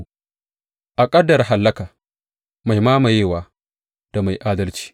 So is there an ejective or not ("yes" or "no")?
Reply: yes